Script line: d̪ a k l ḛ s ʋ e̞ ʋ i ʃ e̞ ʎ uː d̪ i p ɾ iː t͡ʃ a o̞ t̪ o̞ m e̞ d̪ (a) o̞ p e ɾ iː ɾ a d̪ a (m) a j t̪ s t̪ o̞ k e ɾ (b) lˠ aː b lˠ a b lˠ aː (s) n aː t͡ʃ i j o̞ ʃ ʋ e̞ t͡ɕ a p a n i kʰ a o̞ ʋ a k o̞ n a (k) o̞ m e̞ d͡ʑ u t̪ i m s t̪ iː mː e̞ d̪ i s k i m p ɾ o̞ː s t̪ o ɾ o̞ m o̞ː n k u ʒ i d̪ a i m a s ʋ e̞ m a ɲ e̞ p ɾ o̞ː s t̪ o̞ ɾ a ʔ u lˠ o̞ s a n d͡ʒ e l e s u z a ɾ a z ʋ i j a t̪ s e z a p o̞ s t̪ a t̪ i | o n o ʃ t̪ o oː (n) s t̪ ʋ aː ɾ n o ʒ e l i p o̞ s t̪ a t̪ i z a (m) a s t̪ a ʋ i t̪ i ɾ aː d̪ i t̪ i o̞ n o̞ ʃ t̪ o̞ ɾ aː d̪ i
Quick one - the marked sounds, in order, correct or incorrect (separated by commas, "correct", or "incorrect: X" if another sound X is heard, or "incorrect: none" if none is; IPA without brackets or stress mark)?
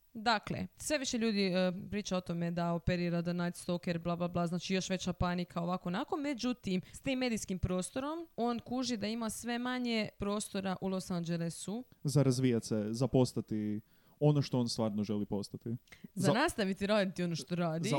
correct, incorrect: n, correct, incorrect: z, correct, correct, incorrect: n